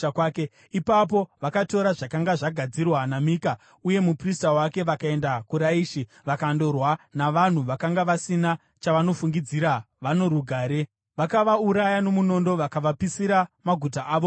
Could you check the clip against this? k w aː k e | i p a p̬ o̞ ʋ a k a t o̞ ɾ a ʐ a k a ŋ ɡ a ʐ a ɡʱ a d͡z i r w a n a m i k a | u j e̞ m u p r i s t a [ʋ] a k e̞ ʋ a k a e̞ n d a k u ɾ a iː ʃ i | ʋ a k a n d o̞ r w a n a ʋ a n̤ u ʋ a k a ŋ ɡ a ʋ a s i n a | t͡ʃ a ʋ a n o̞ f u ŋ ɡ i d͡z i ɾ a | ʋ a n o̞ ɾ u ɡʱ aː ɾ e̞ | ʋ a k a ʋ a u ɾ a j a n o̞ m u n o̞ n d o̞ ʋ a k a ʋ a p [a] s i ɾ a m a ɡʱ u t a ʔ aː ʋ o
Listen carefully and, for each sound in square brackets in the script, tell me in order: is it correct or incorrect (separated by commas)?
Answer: incorrect, incorrect